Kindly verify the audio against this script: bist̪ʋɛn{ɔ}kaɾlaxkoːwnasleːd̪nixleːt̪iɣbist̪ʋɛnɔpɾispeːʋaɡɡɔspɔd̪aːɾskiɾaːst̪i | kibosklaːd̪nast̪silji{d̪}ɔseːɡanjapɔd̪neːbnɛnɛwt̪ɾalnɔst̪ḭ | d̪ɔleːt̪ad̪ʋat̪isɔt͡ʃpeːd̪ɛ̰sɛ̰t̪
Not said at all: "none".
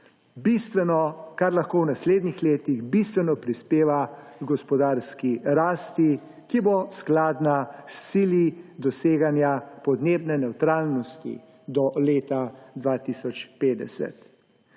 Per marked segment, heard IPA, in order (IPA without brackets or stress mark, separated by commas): ɔ, d̪